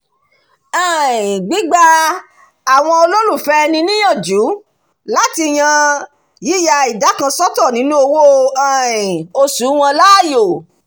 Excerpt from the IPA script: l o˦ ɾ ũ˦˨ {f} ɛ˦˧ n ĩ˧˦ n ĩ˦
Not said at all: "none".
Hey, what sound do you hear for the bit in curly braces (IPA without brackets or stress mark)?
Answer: f